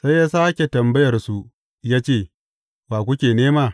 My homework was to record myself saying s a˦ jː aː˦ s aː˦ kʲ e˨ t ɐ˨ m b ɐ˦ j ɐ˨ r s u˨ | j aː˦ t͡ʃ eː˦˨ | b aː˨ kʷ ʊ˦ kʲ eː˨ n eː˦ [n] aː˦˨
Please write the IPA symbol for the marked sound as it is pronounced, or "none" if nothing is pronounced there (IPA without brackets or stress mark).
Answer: m